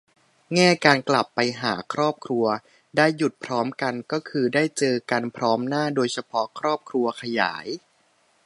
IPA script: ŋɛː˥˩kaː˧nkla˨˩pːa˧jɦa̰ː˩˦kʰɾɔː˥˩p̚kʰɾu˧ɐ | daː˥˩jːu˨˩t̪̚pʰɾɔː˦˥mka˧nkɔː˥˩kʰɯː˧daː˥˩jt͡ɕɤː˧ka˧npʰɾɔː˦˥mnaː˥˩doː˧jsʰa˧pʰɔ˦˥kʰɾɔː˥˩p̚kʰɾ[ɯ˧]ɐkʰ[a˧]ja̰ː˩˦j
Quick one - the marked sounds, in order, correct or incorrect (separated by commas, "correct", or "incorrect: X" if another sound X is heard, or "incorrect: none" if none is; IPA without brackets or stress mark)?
incorrect: u˧, correct